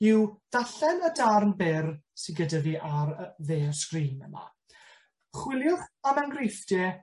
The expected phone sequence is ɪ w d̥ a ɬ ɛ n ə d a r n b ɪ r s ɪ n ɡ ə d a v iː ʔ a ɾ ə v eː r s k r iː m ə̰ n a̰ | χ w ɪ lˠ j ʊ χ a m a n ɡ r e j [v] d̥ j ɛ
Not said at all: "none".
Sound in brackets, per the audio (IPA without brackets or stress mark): f